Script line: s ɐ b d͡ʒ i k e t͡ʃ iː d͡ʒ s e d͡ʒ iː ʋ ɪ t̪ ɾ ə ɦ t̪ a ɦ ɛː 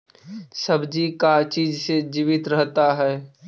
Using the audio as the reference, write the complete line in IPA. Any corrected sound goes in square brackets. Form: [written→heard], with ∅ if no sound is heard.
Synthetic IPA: s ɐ b d͡ʒ i k [e→a] t͡ʃ iː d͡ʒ s e d͡ʒ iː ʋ ɪ t̪ ɾ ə ɦ t̪ a ɦ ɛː